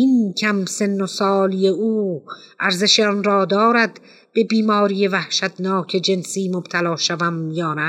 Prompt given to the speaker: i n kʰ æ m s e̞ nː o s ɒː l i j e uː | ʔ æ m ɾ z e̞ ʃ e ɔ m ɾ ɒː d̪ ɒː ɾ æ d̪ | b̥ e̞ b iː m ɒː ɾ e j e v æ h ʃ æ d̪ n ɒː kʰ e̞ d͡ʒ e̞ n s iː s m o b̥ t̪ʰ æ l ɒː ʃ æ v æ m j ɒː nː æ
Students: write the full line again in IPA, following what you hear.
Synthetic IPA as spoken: i n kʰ æ m s e̞ nː o s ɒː l i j e uː | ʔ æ ɾ z e̞ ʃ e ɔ n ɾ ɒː d̪ ɒː ɾ æ d̪ | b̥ e̞ b iː m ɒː ɾ i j e v æ h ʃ æ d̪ n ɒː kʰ e̞ d͡ʒ e̞ n s iː m o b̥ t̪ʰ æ l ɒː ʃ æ v æ m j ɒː n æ